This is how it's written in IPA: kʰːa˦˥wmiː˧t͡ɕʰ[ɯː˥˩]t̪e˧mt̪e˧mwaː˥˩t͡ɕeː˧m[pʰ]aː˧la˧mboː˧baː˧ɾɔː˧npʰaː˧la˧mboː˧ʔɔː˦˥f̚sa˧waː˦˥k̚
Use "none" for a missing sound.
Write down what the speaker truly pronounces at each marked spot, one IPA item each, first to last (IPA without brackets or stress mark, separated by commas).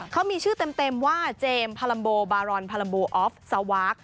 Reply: ɯː˥˩, pʰ